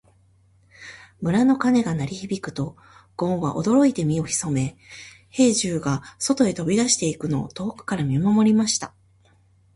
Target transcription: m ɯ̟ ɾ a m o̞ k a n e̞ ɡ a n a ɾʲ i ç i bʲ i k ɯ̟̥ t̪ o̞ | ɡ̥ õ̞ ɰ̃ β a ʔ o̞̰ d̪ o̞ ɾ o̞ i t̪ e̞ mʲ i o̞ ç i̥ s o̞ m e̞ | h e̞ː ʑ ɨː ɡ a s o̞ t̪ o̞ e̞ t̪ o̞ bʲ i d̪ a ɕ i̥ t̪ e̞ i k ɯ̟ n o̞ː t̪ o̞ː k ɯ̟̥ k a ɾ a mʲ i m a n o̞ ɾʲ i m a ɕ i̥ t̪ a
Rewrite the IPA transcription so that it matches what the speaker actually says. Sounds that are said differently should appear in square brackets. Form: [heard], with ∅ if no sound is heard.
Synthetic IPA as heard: m ɯ̟ ɾ a [n] o̞ k a n e̞ ɡ a n a ɾʲ i ç i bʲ i k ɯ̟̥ t̪ o̞ | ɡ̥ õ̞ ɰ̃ β a ʔ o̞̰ d̪ o̞ ɾ o̞ i t̪ e̞ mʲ i o̞ ç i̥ s o̞ m e̞ | h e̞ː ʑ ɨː ɡ a s o̞ t̪ o̞ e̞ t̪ o̞ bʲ i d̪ a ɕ i̥ t̪ e̞ i k ɯ̟ n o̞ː t̪ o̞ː k ɯ̟̥ k a ɾ a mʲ i m a [m] o̞ ɾʲ i m a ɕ i̥ t̪ a